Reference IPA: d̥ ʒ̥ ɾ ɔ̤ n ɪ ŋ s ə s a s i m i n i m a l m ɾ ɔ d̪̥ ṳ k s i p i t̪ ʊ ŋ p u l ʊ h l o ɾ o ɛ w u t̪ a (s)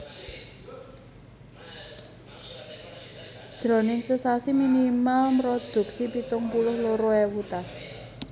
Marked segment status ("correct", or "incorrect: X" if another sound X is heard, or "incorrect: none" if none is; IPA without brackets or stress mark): correct